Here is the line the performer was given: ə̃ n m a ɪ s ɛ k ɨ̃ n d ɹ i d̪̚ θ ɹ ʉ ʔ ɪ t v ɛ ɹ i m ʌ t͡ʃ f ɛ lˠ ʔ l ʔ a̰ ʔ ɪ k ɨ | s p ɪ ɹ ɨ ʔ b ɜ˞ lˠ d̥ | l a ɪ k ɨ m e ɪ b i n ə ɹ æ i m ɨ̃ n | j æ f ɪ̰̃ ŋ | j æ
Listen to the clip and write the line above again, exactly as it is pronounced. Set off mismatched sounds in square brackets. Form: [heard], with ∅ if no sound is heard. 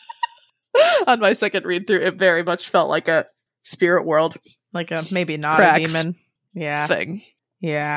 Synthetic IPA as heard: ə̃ n m a ɪ s ɛ k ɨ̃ n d ɹ i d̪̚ θ ɹ ʉ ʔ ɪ t v ɛ ɹ i m ʌ t͡ʃ f ɛ lˠ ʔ l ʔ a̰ [∅] ɪ k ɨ | s p ɪ ɹ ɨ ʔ [w] ɜ˞ lˠ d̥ | l a ɪ k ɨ m e ɪ b i n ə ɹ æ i m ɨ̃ n | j æ [θ] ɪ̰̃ ŋ | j æ